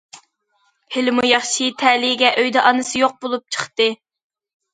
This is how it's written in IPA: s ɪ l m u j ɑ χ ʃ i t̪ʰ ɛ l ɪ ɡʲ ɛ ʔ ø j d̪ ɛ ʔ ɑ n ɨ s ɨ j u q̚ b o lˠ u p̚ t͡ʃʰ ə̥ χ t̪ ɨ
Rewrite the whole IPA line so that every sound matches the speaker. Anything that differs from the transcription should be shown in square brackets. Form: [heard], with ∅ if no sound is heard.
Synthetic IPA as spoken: [h] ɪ l m u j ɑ χ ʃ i t̪ʰ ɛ l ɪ ɡʲ ɛ ʔ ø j d̪ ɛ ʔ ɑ n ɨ s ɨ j [o] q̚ b o lˠ u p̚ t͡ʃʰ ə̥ χ t̪ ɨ